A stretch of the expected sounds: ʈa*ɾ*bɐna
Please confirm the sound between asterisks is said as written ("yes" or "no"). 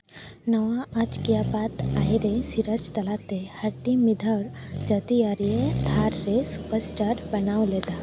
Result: yes